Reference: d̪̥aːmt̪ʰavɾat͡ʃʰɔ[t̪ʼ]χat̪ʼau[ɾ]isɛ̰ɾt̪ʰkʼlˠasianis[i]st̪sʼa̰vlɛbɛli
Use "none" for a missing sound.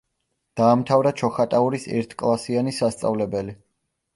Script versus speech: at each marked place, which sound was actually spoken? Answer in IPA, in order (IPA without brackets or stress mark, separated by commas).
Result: none, ɾ, a